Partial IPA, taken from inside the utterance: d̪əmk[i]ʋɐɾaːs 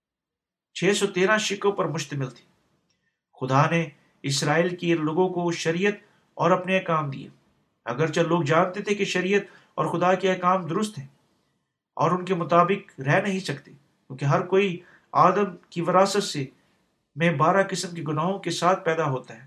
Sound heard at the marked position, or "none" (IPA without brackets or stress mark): i